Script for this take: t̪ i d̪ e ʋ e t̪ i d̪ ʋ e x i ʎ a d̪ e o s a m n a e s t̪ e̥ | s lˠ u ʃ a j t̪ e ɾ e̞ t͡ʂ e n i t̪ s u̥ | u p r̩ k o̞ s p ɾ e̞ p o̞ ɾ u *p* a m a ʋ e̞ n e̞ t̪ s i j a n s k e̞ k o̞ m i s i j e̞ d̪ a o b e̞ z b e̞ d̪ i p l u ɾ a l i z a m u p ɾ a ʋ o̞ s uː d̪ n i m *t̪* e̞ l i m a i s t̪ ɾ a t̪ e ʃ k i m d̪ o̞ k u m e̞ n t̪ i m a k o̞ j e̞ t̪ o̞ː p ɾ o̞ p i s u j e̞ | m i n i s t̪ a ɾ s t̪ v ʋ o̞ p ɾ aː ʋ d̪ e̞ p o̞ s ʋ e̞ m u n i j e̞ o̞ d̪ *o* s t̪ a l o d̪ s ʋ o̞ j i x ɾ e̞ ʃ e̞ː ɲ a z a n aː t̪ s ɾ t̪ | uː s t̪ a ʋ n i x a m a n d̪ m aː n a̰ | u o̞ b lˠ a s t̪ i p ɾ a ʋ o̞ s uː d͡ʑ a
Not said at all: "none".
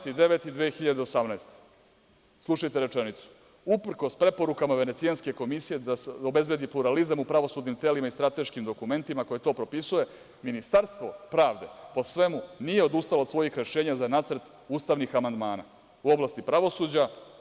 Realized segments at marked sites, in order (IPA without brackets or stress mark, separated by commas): k, t̪, u